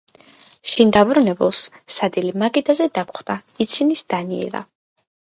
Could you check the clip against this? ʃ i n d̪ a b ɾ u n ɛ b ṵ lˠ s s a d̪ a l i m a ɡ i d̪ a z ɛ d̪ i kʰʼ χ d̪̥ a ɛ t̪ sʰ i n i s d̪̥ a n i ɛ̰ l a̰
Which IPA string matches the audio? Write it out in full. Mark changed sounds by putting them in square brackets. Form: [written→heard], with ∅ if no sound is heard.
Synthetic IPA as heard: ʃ i n d̪ a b ɾ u n ɛ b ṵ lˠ s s a d̪ [a→i] l i m a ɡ i d̪ a z ɛ d̪ [i→a] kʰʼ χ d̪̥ a [ɛ→i] t̪ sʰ i n i s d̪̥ a n i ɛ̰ l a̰